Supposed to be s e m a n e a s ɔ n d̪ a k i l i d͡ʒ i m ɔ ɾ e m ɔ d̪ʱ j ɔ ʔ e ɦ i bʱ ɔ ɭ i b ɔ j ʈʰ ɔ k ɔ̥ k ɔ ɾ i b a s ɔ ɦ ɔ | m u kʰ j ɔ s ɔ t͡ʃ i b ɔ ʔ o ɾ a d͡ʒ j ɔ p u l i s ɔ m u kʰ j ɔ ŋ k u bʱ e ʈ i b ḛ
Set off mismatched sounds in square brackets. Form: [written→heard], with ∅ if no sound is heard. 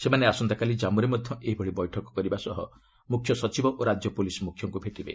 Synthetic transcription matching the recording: s e m a n e a s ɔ n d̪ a k [i→a] l i d͡ʒ [i→a] m [ɔ→u] ɾ e m ɔ d̪ʱ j ɔ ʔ e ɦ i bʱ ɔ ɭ i b ɔ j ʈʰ ɔ k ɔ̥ k ɔ ɾ i b a s ɔ ɦ ɔ | m u kʰ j ɔ s ɔ t͡ʃ i b ɔ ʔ o ɾ a d͡ʒ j ɔ p u l i s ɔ m u kʰ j ɔ ŋ k u bʱ e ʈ i b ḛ